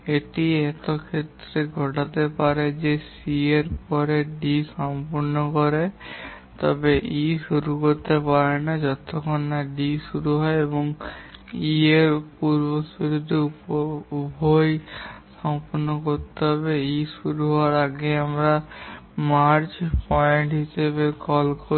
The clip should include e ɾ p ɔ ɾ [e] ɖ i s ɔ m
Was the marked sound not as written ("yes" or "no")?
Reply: no